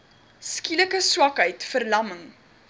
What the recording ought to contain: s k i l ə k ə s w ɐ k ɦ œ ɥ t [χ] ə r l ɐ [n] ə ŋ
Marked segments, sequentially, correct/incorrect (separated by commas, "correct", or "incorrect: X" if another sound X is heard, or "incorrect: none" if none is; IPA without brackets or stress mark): incorrect: f, incorrect: m